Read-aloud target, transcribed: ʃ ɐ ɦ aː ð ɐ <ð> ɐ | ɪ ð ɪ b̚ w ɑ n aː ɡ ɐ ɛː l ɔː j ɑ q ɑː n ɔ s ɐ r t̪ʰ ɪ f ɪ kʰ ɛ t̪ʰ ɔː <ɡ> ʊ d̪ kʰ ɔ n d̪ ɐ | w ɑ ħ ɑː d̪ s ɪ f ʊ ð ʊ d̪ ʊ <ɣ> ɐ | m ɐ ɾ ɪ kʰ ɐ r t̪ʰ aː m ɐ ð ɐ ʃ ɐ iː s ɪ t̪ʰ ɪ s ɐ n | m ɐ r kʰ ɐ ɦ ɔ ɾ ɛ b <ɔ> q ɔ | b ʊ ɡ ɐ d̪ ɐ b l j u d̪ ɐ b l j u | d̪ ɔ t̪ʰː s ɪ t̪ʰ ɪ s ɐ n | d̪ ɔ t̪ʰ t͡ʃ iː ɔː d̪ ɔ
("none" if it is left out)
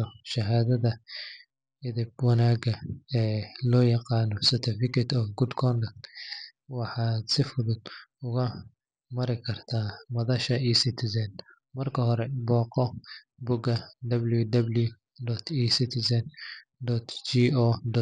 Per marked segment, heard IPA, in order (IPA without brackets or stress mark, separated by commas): ð, ɡ, ɣ, ɔː